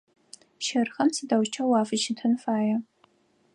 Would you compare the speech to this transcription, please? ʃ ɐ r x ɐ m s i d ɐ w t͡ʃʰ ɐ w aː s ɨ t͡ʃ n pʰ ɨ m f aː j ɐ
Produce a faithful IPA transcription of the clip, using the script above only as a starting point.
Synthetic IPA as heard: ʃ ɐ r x ɐ m s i d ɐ w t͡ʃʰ ɐ w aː f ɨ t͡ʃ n tʰ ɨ n f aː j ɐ